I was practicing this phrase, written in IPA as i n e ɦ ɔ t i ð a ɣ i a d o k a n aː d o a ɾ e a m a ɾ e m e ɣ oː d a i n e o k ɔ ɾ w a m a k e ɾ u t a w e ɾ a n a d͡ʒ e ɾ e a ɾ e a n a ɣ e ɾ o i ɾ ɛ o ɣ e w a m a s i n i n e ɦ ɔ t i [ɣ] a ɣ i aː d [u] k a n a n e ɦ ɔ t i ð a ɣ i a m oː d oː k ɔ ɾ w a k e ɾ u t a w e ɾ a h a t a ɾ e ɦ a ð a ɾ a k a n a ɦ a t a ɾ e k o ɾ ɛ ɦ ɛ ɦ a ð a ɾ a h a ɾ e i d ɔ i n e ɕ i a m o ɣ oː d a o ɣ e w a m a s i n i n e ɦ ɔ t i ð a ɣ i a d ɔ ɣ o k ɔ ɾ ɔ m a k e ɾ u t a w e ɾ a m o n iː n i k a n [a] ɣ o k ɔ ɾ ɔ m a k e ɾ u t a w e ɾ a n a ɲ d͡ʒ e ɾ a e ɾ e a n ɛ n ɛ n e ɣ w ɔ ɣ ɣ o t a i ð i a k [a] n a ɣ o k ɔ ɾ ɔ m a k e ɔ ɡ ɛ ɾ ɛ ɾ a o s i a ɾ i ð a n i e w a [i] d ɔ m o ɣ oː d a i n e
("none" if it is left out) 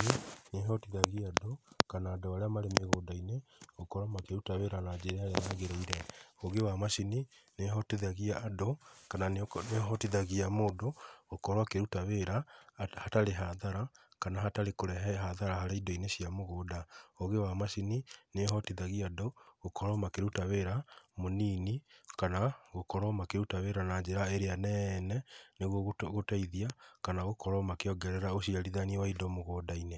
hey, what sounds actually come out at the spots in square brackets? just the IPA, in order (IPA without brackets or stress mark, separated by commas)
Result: ð, o, a, a, i